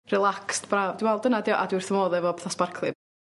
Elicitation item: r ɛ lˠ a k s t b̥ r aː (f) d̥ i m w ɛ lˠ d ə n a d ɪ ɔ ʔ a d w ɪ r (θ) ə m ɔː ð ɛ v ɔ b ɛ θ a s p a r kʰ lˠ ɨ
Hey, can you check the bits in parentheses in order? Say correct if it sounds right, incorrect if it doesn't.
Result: incorrect: v, correct

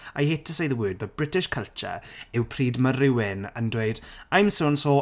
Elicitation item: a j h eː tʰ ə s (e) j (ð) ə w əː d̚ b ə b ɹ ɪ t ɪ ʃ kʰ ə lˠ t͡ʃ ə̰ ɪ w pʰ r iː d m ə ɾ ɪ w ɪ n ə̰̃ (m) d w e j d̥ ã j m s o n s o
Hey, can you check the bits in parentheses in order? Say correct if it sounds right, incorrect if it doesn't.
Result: correct, correct, incorrect: n

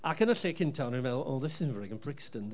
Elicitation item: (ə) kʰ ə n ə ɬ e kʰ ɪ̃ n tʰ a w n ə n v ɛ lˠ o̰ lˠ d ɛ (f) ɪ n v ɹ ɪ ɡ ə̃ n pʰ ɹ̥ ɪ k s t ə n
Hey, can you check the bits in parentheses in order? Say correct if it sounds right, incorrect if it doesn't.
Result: incorrect: a, incorrect: s

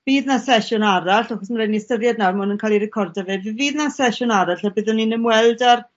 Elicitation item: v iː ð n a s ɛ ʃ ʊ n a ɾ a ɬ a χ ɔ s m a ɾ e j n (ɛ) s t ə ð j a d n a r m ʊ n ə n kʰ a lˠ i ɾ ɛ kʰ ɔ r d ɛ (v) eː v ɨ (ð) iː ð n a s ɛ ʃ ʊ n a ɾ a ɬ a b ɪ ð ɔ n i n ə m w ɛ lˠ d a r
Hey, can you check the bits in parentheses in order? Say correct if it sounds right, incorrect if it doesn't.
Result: incorrect: i, correct, incorrect: v

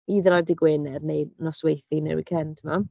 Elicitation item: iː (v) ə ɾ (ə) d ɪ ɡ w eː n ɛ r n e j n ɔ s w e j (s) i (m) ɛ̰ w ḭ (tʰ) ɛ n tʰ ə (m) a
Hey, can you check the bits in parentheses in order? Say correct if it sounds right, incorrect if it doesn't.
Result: incorrect: ð, incorrect: a, incorrect: θ, incorrect: n, incorrect: kʰ, correct

